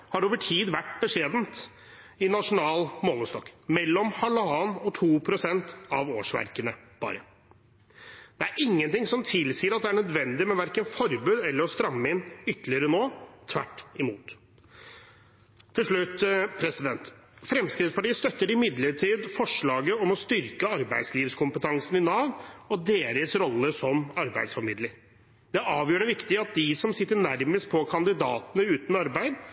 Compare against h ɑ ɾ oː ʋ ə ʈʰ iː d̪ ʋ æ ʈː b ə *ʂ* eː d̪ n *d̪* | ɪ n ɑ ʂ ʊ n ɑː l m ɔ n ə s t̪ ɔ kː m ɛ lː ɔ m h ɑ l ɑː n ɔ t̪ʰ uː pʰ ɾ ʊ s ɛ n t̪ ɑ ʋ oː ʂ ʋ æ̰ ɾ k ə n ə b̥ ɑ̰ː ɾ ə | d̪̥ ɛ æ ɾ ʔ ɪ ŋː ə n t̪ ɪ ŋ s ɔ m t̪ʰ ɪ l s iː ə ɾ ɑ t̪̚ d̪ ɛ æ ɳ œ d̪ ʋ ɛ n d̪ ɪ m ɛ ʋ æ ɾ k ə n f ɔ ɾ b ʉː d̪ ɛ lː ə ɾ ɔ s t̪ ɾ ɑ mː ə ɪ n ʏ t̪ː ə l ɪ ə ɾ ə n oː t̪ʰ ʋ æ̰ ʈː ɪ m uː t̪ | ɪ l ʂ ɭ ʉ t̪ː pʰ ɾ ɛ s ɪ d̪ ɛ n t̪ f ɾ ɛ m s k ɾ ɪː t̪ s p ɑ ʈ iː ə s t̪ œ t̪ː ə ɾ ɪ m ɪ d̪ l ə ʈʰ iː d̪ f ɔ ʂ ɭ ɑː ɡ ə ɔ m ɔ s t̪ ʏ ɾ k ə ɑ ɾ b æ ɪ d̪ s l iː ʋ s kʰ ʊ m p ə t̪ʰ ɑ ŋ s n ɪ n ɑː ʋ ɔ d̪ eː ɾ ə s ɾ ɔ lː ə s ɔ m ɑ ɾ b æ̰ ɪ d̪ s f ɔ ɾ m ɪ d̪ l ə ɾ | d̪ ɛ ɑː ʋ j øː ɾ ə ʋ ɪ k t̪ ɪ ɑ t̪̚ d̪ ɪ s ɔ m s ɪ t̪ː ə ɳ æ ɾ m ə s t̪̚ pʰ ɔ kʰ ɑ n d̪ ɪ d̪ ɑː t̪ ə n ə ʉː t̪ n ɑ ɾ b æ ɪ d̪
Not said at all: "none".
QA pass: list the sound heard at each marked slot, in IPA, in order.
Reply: ʂ, t̪

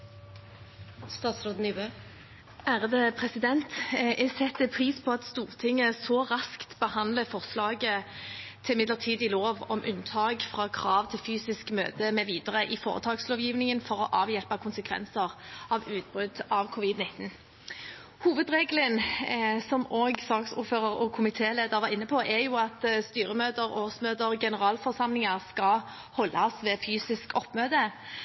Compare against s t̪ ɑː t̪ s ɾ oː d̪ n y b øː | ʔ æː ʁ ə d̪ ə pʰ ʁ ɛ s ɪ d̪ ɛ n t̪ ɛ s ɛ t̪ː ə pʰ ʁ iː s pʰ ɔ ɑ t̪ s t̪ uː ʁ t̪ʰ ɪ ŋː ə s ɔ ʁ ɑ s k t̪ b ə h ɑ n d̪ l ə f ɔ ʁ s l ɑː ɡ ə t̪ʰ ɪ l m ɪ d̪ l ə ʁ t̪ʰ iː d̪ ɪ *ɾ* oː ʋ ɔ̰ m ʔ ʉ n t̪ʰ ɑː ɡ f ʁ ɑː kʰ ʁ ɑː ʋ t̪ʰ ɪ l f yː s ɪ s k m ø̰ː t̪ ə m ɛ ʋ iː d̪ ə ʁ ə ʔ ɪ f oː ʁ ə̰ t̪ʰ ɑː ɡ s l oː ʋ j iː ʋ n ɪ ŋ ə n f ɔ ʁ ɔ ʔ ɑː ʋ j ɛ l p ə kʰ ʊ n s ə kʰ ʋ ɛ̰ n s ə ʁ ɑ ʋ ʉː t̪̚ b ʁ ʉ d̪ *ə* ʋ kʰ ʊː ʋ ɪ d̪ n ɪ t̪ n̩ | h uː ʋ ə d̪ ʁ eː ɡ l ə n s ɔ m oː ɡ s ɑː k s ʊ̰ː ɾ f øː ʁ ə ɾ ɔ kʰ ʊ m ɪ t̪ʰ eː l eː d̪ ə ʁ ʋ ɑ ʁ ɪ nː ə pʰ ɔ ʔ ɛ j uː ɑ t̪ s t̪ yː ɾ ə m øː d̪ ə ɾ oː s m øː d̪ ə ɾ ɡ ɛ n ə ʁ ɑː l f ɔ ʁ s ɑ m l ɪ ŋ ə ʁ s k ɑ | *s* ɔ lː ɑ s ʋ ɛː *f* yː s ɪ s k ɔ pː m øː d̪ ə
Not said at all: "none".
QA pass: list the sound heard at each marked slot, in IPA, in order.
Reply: l, ɑ, h, f

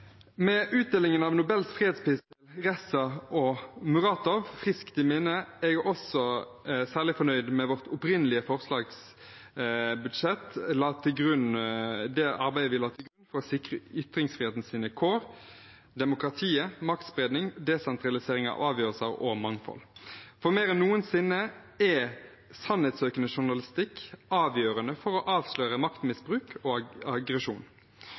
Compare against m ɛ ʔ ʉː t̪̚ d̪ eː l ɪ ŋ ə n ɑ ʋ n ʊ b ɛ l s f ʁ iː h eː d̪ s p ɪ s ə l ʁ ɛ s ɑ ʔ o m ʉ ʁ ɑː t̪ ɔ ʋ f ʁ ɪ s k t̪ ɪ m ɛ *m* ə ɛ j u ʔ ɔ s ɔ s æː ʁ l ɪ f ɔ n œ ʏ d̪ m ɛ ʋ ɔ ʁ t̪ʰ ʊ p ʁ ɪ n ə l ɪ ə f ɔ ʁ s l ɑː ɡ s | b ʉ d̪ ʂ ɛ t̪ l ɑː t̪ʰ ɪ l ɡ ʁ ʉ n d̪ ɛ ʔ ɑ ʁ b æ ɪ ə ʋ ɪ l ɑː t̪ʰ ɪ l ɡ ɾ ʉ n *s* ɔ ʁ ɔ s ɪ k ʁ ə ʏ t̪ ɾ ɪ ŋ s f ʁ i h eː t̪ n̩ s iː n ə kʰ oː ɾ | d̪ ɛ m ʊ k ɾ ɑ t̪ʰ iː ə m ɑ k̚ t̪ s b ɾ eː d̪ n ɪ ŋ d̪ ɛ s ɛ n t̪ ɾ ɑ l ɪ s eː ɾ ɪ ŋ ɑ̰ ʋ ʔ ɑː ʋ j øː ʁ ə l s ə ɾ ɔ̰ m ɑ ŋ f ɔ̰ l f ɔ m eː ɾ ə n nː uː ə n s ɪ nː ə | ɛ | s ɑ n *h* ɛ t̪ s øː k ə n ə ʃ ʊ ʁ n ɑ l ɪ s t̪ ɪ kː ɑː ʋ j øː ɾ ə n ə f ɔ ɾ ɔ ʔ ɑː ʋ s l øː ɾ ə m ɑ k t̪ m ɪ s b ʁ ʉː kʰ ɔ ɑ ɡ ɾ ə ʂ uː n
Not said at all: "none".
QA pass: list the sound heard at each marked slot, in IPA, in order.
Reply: n, f, h

